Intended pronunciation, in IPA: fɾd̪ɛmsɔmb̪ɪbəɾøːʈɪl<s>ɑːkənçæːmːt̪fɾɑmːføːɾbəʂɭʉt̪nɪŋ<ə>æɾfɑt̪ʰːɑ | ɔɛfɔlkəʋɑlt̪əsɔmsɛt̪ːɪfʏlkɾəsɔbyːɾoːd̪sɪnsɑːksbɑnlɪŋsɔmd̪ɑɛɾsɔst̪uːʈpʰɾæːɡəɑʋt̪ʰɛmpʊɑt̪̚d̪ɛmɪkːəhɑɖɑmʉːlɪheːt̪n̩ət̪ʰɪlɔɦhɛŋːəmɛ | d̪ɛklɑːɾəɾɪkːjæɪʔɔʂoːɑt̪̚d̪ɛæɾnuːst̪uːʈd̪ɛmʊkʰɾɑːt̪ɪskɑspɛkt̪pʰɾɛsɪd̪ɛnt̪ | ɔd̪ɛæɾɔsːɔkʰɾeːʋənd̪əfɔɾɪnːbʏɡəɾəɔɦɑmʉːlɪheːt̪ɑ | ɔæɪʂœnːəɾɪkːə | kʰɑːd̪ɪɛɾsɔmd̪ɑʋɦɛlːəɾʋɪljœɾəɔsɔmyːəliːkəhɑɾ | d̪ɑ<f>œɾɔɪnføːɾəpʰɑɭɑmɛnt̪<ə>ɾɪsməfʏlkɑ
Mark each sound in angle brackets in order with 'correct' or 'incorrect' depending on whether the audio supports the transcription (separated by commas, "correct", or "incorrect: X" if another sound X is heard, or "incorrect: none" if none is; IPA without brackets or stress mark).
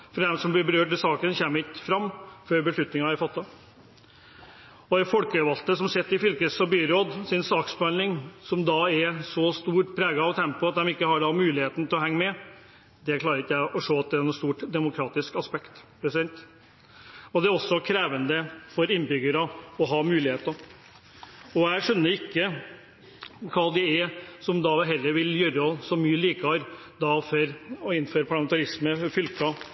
correct, incorrect: ɑ, correct, incorrect: ɑ